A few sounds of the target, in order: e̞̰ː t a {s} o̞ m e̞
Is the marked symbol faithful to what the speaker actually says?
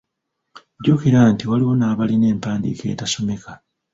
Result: yes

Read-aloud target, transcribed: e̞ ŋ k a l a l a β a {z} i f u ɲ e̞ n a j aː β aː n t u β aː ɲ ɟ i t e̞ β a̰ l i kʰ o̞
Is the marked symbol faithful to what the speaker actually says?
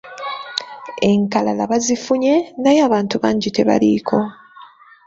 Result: yes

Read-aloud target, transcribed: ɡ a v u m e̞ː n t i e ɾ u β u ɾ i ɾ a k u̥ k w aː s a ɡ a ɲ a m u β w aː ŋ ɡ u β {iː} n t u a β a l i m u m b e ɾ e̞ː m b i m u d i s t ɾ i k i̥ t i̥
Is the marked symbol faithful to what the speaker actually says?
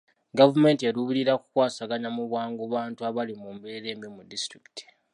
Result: no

